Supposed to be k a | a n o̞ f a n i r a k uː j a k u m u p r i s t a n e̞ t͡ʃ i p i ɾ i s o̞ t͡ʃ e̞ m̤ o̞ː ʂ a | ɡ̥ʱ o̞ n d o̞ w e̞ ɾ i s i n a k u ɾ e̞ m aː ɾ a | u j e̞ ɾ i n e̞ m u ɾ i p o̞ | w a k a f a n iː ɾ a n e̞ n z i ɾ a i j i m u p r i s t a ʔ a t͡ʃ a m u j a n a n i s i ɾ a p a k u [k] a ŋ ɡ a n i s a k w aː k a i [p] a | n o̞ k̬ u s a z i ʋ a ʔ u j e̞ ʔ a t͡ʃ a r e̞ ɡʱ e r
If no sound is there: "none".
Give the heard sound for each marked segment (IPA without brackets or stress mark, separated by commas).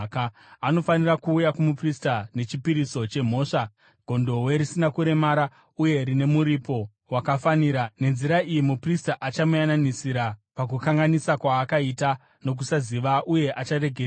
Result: k, t